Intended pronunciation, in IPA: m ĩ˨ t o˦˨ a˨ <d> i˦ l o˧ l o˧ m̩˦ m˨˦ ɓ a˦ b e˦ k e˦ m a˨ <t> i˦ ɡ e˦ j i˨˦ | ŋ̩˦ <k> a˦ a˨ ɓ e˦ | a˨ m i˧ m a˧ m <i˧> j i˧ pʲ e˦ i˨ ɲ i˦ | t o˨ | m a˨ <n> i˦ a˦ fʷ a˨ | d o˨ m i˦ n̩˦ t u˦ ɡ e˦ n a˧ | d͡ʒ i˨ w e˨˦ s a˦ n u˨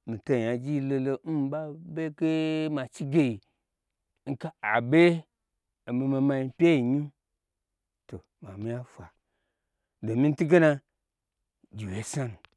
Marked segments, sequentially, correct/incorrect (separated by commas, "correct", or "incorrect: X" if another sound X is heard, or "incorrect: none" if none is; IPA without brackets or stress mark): incorrect: d͡ʒ, incorrect: t͡ʃ, correct, incorrect: a˧, incorrect: m